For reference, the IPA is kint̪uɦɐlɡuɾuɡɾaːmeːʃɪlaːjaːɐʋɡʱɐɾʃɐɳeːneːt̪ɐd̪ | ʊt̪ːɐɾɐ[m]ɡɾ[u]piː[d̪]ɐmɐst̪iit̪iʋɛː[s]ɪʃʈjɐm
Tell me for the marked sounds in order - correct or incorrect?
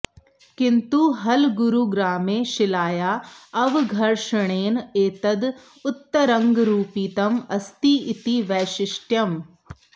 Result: incorrect: ŋ, incorrect: uː, incorrect: t̪, incorrect: ʃ

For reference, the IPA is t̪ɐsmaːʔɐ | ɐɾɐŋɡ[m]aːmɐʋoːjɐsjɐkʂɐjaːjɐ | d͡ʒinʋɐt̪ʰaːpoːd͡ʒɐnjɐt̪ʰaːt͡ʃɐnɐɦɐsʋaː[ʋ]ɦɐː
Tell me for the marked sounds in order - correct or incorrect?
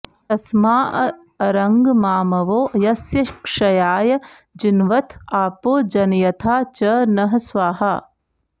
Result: correct, incorrect: none

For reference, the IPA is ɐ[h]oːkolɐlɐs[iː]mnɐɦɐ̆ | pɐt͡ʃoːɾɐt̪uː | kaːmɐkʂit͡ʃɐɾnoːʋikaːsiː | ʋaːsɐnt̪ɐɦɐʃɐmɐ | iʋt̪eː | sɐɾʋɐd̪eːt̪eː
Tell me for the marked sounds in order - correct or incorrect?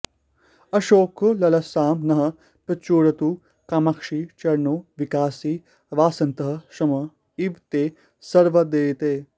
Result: incorrect: ʃ, incorrect: aː

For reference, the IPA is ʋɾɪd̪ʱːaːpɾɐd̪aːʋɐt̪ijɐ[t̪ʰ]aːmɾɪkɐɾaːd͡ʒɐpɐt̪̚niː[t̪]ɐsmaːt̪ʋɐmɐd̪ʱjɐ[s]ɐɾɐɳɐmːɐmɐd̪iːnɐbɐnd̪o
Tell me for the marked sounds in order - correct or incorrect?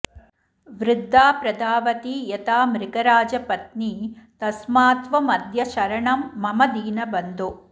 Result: incorrect: t̪, correct, incorrect: ʃ

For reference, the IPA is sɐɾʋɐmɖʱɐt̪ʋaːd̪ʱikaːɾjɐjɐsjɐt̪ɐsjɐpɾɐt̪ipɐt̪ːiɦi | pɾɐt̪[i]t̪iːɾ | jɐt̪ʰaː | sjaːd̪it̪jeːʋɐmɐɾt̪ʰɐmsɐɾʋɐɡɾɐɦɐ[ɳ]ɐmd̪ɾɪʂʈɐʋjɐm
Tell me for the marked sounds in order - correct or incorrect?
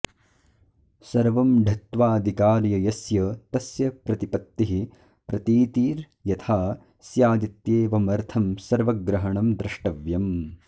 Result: incorrect: iː, correct

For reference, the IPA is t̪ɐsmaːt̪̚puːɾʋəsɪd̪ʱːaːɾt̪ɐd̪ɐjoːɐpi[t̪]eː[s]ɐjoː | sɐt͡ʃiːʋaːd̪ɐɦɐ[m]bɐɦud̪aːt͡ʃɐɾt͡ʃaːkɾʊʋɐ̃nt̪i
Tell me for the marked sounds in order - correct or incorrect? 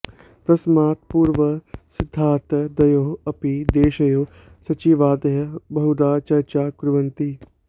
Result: incorrect: d̪, incorrect: ʃ, incorrect: none

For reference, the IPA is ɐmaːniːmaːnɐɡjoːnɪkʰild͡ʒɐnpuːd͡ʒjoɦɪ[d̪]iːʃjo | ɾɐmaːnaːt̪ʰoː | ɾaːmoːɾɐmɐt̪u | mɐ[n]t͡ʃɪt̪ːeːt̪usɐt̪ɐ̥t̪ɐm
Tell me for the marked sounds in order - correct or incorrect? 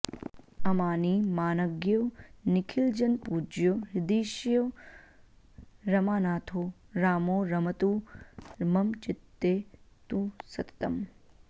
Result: correct, incorrect: m

